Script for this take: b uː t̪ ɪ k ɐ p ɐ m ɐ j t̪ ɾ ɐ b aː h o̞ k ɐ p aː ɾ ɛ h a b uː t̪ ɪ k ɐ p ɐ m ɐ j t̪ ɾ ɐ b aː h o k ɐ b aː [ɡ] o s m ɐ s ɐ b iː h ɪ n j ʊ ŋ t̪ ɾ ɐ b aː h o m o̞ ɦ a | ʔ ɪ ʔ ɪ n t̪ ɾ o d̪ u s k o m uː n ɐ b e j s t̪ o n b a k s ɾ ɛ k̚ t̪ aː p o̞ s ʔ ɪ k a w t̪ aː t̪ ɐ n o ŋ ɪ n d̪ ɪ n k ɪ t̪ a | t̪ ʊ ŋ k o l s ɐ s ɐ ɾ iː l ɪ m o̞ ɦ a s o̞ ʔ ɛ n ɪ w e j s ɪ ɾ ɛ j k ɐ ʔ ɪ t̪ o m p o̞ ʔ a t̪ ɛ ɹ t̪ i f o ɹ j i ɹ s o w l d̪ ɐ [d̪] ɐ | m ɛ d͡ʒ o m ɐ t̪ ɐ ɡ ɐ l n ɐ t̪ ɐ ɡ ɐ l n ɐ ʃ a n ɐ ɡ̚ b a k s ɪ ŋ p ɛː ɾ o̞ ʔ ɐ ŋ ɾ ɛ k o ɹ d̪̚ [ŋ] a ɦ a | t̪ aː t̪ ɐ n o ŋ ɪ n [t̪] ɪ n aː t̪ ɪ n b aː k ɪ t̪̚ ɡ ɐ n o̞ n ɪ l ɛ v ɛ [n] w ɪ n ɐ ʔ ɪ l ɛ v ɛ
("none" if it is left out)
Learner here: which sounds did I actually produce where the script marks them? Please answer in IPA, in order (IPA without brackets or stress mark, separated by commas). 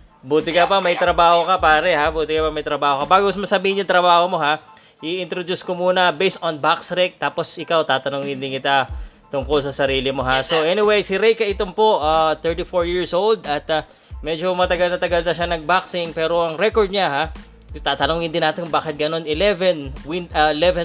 ɡ, t̪, ɲ, d̪, n